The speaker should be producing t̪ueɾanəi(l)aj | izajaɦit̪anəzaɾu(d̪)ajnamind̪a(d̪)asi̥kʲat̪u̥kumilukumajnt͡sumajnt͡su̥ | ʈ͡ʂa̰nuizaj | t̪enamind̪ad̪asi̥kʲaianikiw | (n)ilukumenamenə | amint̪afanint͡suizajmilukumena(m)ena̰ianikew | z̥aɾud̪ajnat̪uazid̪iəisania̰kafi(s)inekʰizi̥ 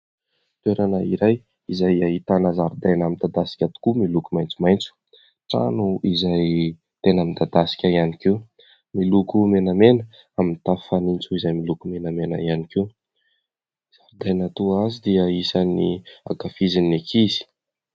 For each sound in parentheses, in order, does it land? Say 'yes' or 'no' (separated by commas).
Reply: no, yes, yes, no, yes, no